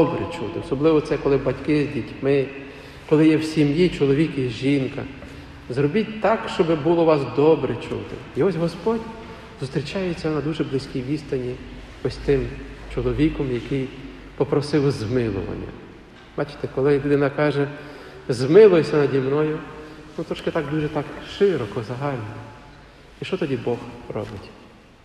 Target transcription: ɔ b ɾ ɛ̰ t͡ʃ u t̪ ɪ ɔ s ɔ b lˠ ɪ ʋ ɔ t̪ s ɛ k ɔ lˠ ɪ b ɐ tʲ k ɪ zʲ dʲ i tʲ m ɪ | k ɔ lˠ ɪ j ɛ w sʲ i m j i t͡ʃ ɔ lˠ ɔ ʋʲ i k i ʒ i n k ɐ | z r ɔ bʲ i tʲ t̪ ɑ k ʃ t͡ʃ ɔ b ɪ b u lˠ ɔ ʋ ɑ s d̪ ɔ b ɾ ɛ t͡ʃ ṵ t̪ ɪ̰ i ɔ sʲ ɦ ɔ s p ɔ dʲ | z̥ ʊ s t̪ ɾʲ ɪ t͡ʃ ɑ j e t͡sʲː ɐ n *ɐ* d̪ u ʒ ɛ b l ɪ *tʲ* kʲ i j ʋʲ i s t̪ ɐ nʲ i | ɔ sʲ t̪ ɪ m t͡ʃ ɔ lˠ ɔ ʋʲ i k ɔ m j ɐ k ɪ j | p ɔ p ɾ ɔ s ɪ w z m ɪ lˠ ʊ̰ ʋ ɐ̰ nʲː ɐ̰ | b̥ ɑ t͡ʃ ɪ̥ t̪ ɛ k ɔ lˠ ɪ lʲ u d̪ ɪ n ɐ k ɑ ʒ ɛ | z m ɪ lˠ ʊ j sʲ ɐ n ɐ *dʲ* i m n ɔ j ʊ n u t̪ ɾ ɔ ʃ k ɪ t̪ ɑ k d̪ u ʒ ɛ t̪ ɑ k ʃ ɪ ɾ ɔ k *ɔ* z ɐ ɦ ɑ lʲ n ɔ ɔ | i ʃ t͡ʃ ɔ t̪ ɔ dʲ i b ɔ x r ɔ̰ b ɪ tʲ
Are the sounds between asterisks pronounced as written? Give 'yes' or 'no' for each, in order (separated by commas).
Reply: yes, no, yes, yes